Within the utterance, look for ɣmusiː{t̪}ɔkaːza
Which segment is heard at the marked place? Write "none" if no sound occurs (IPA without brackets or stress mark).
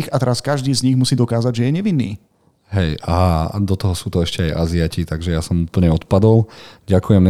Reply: d̪